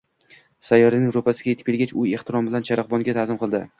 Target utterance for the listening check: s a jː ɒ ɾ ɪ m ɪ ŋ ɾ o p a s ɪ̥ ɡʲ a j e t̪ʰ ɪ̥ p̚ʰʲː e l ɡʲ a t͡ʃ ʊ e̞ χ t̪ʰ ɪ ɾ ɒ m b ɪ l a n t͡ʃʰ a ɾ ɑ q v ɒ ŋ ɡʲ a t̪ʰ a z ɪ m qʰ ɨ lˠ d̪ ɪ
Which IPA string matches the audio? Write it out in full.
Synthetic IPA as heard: s a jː ɒ ɾ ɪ n ɪ ŋ ɾ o p a s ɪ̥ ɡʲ a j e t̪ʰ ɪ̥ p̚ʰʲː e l ɡʲ a t͡ʃ ʊ e̞ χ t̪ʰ ɪ ɾ ɒ m b ɪ l a n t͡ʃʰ a ɾ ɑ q b ɒ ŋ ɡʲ a t̪ʰ a z ɪ m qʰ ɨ lˠ d̪ ɪ